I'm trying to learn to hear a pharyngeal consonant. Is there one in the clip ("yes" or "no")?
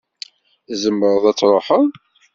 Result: yes